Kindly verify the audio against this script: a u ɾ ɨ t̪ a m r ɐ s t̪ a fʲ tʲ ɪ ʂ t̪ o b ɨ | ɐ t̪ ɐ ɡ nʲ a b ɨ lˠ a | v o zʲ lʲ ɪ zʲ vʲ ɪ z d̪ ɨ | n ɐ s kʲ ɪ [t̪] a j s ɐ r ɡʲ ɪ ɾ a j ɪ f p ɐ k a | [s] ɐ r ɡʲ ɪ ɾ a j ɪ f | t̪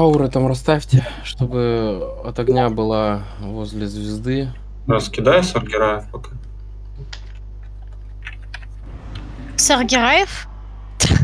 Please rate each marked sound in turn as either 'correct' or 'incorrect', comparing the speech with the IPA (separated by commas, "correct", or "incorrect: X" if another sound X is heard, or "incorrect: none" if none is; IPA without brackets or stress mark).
incorrect: d̪, correct